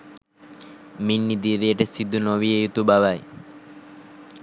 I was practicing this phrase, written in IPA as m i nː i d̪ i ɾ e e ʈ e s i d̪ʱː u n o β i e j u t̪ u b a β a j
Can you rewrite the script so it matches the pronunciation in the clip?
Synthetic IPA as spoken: m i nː i d̪ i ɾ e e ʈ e s i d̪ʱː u n o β i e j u t̪ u b a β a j